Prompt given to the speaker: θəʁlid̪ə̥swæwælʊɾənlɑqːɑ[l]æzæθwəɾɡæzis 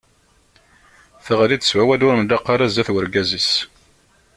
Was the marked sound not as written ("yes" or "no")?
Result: yes